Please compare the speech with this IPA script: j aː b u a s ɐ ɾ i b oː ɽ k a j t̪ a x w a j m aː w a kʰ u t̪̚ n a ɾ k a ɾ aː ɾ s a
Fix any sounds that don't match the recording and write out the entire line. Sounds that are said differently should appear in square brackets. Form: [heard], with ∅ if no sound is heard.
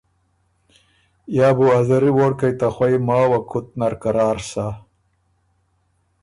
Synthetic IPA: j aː b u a [z] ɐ ɾ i [w] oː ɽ k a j t̪ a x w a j m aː w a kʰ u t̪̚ n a ɾ k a ɾ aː ɾ s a

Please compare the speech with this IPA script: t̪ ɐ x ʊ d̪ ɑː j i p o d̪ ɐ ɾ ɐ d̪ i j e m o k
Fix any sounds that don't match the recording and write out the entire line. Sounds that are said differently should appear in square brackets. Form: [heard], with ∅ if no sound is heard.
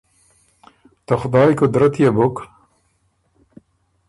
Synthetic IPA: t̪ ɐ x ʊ d̪ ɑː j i [k] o d̪ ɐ ɾ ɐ [t̪] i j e [b] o k

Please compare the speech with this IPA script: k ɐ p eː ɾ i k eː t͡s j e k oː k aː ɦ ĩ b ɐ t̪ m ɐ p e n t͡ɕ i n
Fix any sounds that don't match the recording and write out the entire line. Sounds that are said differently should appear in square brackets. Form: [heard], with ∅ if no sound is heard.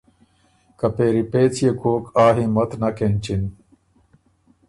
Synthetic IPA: k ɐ p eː ɾ i [p] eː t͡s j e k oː k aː ɦ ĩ [m] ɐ t̪ [n] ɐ [k] e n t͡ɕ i n

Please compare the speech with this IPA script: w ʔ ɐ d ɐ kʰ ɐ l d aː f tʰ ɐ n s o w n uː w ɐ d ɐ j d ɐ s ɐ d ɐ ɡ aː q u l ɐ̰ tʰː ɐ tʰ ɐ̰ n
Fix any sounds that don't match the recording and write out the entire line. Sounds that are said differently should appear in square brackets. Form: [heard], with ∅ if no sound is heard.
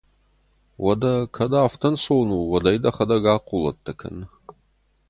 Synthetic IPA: w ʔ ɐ d ɐ kʰ ɐ [∅] d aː f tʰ ɐ n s o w n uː w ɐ d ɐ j d ɐ [χ] ɐ d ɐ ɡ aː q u l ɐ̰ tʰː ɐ [kʰ] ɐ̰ n

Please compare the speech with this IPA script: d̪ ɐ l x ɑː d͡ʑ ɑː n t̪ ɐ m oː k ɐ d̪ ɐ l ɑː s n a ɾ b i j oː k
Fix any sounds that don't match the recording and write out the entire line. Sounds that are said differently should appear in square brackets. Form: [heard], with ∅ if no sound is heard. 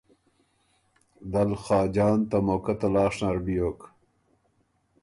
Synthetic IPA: d̪ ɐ l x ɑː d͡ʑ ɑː n t̪ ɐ m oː k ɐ [t̪] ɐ l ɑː [ʂ] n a ɾ b i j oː k

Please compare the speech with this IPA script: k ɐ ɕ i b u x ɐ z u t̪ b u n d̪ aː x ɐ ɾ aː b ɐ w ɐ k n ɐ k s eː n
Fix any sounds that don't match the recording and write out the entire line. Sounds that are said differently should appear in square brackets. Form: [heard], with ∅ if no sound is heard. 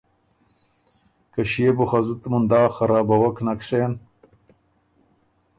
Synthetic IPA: k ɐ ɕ [e] b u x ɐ z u t̪ [m] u n d̪ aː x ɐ ɾ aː b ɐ w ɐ k n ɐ k s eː n

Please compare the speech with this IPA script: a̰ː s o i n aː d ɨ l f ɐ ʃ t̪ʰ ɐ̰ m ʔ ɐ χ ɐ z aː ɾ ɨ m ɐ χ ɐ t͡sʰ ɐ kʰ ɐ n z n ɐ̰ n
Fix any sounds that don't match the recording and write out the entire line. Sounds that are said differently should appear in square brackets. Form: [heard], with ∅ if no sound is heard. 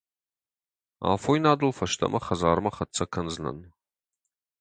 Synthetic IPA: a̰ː [f] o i n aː d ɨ l f ɐ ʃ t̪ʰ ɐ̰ m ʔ ɐ χ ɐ z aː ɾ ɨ m ɐ χ ɐ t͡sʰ ɐ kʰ ɐ n z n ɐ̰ n

